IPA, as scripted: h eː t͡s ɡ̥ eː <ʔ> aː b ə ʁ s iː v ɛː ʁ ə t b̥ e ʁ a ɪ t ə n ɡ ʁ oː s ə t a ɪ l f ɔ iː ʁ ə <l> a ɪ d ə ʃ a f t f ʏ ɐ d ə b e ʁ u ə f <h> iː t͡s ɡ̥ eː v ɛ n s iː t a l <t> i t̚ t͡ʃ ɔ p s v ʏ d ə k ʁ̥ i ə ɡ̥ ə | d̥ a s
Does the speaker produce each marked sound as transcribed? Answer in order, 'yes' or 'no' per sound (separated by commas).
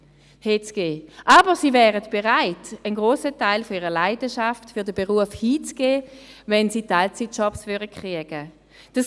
yes, yes, yes, no